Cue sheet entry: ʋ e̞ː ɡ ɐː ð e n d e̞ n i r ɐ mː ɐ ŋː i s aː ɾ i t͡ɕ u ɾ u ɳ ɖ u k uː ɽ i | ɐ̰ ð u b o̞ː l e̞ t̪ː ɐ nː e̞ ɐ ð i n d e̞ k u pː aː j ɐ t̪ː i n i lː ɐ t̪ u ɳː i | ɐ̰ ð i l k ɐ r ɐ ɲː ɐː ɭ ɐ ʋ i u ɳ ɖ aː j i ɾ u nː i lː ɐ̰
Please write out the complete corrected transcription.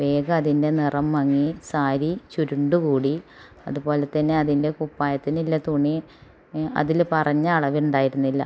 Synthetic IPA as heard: ʋ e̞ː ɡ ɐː ð i n d e̞ n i r ɐ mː ɐ ŋː i s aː ɾ i t͡ɕ u ɾ u ɳ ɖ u k uː ɽ i | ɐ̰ ð u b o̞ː l e̞ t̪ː ɐ nː e̞ ɐ ð i n d e̞ k u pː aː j ɐ t̪ː i n i lː ɐ t̪ u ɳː i | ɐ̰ ð i l p ɐ r ɐ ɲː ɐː ɭ ɐ ʋ i u ɳ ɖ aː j i ɾ u nː i lː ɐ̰

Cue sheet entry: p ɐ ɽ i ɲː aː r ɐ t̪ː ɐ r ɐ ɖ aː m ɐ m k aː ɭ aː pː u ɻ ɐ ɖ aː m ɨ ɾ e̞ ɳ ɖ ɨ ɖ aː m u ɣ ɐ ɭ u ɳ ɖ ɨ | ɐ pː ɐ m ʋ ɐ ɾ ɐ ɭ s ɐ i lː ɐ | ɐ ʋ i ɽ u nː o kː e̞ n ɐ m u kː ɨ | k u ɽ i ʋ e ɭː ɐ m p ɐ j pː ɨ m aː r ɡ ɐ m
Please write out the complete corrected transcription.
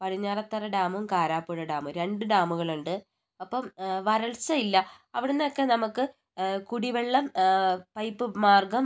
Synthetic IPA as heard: p ɐ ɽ i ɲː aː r ɐ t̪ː ɐ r ɐ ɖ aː m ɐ m k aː ɾ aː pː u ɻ ɐ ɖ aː m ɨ ɾ e̞ ɳ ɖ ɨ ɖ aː m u ɣ ɐ ɭ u ɳ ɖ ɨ | ɐ pː ɐ m ʋ ɐ ɾ ɐ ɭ s ɐ i lː ɐ | ɐ ʋ i ɽ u nː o kː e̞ n ɐ m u kː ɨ | k u ɽ i ʋ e ɭː ɐ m p ɐ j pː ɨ m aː r ɡ ɐ m

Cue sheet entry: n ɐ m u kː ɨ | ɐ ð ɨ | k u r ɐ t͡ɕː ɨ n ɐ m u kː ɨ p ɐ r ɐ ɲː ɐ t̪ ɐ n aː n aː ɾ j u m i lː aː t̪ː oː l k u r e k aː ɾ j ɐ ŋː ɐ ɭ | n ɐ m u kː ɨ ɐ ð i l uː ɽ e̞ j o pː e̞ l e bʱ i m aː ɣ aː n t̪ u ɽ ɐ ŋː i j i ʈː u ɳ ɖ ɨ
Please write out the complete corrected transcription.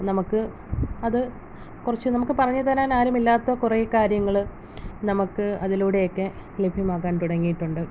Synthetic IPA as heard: n ɐ m u kː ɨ | ɐ ð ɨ | k u r ɐ t͡ɕː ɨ n ɐ m u kː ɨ p ɐ r ɐ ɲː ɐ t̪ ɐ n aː n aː ɾ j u m i lː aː t̪ː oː k u r e k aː ɾ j ɐ ŋː ɐ ɭ | n ɐ m u kː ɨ ɐ ð i l uː ɽ e̞ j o kː e̞ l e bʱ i m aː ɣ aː n t̪ u ɽ ɐ ŋː i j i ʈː u ɳ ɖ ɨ

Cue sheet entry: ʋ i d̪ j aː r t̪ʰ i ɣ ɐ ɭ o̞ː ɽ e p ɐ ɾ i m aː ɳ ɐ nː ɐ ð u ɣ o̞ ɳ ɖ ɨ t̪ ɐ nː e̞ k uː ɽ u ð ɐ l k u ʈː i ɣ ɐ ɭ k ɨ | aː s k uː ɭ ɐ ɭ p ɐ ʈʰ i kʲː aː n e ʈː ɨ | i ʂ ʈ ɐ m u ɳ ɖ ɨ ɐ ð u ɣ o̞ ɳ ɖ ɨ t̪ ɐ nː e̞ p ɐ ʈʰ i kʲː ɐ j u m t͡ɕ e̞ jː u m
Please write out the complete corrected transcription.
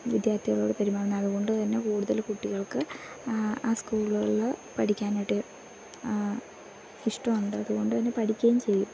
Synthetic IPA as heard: ʋ i d̪ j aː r t̪ʰ i ɣ ɐ ɭ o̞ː ɽ e p ɐ ɾ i m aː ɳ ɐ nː ɐ ð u ɣ o̞ ɳ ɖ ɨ t̪ ɐ nː e̞ k uː ɽ u ð ɐ l k u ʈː i ɣ ɐ ɭ k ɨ | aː s k uː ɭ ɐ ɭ p ɐ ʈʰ i kʲː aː n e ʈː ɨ | i ʂ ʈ ɐ m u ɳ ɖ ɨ ɐ ð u ɣ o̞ ɳ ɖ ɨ t̪ ɐ nː e̞ p ɐ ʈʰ i kʲː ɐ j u m t͡ɕ e̞ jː u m

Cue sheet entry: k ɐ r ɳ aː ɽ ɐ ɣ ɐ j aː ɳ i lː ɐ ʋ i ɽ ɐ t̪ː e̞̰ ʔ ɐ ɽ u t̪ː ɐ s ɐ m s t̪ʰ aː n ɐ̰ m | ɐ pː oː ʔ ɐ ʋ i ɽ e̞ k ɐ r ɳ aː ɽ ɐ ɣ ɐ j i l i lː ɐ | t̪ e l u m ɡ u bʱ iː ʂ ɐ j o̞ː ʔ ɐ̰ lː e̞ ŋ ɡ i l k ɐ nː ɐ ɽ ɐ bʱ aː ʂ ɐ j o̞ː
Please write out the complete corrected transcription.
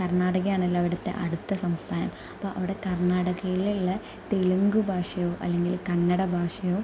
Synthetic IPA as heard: k ɐ r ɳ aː ɽ ɐ ɣ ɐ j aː ɳ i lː ɐ ʋ i ɽ ɐ t̪ː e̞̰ ʔ ɐ ɽ u t̪ː ɐ s ɐ m s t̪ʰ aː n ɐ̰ m | ɐ pː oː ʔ ɐ ʋ i ɽ e̞ k ɐ r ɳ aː ɽ ɐ ɣ ɐ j i l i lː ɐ | t̪ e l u ŋ ɡ u bʱ aː ʂ ɐ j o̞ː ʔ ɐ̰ lː e̞ ŋ ɡ i l k ɐ nː ɐ ɽ ɐ bʱ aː ʂ ɐ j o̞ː

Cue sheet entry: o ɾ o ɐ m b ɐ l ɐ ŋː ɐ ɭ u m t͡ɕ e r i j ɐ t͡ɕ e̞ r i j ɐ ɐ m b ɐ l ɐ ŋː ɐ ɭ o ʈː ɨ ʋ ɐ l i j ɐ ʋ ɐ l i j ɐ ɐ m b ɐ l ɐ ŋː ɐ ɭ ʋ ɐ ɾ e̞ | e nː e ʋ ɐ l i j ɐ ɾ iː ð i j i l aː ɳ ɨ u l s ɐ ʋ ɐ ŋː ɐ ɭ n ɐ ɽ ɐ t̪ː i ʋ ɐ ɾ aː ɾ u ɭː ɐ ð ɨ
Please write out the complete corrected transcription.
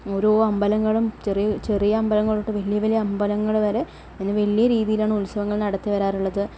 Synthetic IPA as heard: o ɾ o ɐ m b ɐ l ɐ ŋː ɐ ɭ u m t͡ɕ e r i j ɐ t͡ɕ e̞ r i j ɐ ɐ m b ɐ l ɐ ŋː ɐ ɭ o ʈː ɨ ʋ ɐ l i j ɐ ʋ ɐ l i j ɐ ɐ m b ɐ l ɐ ŋː ɐ ɭ ʋ ɐ ɾ e̞ | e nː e ʋ ɐ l i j ɐ ɾ iː ð i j i l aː ɳ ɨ u l s ɐ ʋ ɐ ŋː ɐ ɭ n ɐ ɽ ɐ t̪ː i ʋ ɐ ɾ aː ɾ u ɭː ɐ ð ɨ

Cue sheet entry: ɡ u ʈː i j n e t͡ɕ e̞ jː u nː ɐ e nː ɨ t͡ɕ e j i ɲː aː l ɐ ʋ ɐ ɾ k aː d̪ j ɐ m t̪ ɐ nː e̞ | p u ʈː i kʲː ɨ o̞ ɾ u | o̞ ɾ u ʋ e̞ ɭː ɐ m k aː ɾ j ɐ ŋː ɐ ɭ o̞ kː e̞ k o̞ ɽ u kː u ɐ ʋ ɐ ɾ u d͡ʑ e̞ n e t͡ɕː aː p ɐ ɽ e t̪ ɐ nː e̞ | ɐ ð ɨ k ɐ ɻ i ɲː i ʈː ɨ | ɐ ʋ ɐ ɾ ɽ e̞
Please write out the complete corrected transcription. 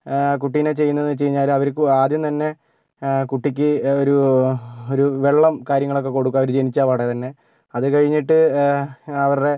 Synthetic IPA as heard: k u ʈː i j n e t͡ɕ e̞ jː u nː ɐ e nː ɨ t͡ɕ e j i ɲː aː l ɐ ʋ ɐ ɾ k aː d̪ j ɐ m t̪ ɐ nː e̞ | k u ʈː i kʲː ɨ o̞ ɾ u | o̞ ɾ u ʋ e̞ ɭː ɐ m k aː ɾ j ɐ ŋː ɐ ɭ o̞ kː e̞ k o̞ ɽ u kː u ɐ ʋ ɐ ɾ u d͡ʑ e̞ n i t͡ɕː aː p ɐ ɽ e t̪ ɐ nː e̞ | ɐ ð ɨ k ɐ ɻ i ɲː i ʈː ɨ | ɐ ʋ ɐ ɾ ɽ e̞

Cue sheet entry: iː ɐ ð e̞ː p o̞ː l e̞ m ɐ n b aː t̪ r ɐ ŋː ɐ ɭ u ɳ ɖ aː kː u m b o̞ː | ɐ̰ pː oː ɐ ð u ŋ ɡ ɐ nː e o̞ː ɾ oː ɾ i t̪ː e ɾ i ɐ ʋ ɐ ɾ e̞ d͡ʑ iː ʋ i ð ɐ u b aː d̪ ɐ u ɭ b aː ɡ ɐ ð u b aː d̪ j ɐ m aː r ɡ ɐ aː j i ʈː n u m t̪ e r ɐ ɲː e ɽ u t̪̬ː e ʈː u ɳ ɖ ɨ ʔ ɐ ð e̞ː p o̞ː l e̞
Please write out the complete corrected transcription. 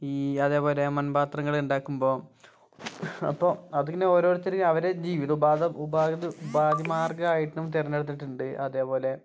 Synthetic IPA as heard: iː ɐ ð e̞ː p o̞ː l e̞ m ɐ n b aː t̪ r ɐ ŋː ɐ ɭ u ɳ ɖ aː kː u m b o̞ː | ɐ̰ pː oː ɐ ð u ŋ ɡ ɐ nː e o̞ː ɾ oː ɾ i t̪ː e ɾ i ɐ ʋ ɐ ɾ e̞ d͡ʑ iː ʋ i ð ɐ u b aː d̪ ɐ u b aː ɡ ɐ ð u b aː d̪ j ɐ m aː r ɡ ɐ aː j i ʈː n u m t̪ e r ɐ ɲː e ɽ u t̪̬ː i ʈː u ɳ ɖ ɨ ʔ ɐ ð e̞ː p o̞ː l e̞

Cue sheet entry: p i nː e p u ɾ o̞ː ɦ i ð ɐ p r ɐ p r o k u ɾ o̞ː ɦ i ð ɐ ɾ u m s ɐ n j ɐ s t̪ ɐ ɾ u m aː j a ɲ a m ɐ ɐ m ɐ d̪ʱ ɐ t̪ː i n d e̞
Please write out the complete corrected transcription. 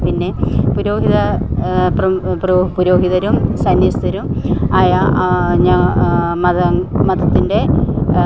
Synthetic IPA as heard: p i nː e p u ɾ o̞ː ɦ i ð ɐ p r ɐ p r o p u ɾ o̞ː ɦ i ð ɐ ɾ u m s ɐ n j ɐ s t̪ ɐ ɾ u m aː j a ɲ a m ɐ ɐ m ɐ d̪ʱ ɐ t̪ː i n d e̞

